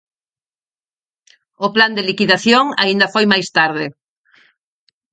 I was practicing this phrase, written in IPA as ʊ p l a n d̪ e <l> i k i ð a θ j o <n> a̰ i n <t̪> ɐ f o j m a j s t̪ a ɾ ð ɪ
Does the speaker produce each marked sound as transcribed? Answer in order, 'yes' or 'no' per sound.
yes, no, no

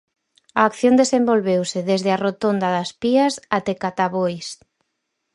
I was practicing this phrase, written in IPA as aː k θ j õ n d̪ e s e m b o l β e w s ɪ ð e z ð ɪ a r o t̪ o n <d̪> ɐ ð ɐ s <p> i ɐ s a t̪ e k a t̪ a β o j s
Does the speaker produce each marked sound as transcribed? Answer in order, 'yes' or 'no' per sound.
yes, yes

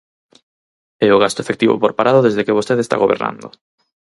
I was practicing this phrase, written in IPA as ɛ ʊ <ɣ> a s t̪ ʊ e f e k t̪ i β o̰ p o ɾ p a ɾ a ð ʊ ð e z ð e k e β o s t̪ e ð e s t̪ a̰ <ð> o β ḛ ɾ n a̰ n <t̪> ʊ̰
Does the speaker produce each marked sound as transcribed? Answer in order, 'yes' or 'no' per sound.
yes, no, no

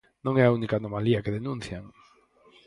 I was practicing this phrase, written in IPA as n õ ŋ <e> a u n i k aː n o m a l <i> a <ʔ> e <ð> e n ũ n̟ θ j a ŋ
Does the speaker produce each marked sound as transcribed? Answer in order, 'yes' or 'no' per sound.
no, yes, no, yes

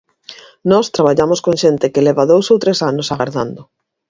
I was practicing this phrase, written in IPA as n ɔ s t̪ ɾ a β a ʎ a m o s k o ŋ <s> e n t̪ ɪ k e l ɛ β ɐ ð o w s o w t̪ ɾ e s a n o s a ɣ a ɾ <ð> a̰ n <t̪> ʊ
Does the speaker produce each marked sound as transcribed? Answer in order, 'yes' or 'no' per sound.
no, yes, no

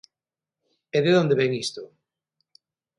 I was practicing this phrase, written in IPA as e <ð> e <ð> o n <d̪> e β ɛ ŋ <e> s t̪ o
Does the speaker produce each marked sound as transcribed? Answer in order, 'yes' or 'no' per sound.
yes, yes, yes, no

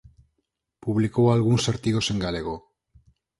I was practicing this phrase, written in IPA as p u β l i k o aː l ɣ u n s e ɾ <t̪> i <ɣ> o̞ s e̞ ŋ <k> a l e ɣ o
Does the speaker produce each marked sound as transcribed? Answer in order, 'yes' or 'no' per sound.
yes, yes, no

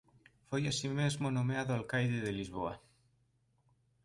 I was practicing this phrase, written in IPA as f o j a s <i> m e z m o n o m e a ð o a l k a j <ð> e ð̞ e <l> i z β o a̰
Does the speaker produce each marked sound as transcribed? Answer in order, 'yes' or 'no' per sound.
yes, yes, yes

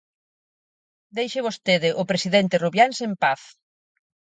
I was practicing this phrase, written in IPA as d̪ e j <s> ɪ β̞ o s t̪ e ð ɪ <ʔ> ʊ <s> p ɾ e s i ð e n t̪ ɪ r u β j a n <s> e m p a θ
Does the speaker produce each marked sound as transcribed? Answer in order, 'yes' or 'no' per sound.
no, yes, no, yes

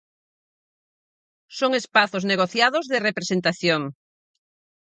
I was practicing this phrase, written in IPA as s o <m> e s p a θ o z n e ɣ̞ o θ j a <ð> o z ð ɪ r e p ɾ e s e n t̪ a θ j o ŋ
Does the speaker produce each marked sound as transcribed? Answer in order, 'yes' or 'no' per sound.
no, yes

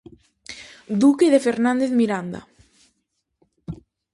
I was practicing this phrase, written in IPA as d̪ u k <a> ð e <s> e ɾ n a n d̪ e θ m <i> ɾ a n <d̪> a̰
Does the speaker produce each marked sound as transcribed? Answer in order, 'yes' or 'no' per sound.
no, no, yes, yes

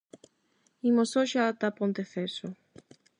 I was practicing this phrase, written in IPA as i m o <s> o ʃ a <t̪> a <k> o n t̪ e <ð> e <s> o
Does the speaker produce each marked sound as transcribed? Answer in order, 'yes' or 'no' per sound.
yes, yes, no, no, yes

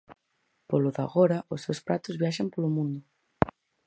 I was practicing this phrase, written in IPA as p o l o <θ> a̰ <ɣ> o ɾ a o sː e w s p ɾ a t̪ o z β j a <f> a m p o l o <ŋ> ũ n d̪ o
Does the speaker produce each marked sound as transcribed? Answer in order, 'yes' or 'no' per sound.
no, yes, no, no

